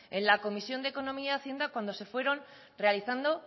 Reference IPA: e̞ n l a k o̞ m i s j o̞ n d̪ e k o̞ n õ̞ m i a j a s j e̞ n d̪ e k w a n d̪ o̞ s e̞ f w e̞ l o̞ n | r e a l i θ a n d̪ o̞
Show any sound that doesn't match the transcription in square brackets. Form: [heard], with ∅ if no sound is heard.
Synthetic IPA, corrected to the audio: e̞ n l a k o̞ m i s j o̞ n d̪ e k o̞ n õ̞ m i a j a [θ] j e̞ n d̪ [a] k w a n d̪ o̞ s e̞ f w e̞ [ɾ] o̞ n | r e a l i θ a n d̪ o̞